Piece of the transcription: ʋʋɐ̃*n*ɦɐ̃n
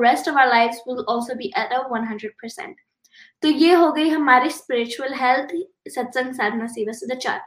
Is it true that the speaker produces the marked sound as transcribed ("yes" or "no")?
yes